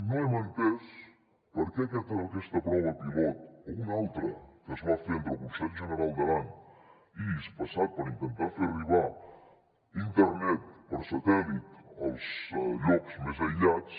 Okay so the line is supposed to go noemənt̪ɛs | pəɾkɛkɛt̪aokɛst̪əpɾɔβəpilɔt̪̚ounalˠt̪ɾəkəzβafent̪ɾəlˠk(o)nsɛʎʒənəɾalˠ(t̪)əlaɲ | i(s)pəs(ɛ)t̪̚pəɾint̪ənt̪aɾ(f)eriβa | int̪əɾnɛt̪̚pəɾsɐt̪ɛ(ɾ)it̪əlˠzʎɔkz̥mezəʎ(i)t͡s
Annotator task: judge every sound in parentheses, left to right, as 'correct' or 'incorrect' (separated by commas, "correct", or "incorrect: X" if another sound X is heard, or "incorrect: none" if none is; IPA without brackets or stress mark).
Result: incorrect: u, incorrect: d̪, correct, incorrect: a, correct, incorrect: l, incorrect: a